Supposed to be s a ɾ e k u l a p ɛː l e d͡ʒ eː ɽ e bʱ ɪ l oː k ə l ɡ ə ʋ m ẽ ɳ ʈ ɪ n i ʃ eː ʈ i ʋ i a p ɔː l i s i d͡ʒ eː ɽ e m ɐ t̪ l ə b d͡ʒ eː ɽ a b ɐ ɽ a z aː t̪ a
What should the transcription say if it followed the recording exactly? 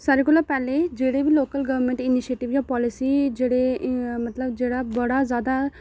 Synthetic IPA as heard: s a ɾ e k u l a p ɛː l e d͡ʒ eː ɽ e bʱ i l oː k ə l ɡ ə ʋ m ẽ ɳ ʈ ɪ n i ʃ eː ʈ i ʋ j a p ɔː l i s i d͡ʒ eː ɽ e m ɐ t̪ l ə b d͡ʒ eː ɽ a b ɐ ɽ a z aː d̪ a